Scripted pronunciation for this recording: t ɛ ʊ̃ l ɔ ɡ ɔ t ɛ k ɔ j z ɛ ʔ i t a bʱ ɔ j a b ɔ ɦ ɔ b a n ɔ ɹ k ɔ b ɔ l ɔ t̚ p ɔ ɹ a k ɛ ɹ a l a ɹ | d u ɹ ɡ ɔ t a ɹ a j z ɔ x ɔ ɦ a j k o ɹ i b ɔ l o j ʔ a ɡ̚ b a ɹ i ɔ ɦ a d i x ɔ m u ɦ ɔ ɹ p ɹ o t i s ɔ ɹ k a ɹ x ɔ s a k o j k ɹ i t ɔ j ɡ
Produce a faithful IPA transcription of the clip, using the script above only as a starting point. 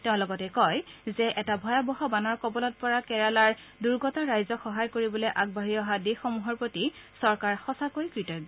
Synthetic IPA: t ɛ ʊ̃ l ɔ ɡ ɔ t ɛ k ɔ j z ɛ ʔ ɛ t a bʱ ɔ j a b ɔ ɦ ɔ b a n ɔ ɹ k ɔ b ɔ l ɔ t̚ p ɔ ɹ a k ɛ ɹ a l a ɹ | d u ɹ ɡ ɔ t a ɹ a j z ɔ x ɔ ɦ a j k o ɹ i b ɔ l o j ʔ a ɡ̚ b a ɹ i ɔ ɦ a d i x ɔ m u ɦ ɔ ɹ p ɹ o t i s ɔ ɹ k a ɹ x ɔ s a k o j k ɹ i t ɔ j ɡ